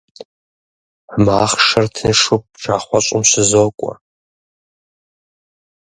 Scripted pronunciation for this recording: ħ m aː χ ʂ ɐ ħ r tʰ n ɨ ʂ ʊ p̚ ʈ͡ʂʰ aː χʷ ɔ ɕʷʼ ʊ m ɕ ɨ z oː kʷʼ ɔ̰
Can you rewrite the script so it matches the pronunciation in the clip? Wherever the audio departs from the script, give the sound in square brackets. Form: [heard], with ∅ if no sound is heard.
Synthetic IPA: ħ m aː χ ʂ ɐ [∅] r tʰ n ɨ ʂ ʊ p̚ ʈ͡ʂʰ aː χʷ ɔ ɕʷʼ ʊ m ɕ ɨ z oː kʷʼ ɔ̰